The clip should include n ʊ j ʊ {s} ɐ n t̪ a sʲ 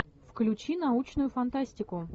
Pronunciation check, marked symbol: incorrect: f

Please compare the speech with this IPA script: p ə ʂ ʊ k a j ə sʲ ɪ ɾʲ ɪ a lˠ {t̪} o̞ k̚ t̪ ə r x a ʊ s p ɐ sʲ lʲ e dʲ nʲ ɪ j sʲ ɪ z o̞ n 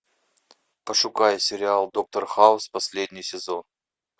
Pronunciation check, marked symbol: incorrect: d̪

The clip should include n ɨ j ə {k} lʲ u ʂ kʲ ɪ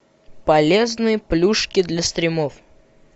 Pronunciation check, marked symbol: incorrect: p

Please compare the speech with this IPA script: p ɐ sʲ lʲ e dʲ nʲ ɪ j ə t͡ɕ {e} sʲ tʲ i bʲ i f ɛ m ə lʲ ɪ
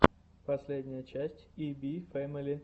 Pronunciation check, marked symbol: incorrect: æ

